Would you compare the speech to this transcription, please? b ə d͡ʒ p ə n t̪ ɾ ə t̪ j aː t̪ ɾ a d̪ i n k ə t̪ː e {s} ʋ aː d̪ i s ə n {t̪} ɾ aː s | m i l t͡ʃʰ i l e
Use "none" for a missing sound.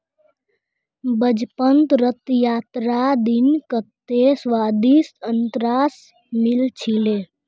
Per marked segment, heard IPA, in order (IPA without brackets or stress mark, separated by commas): s, t̪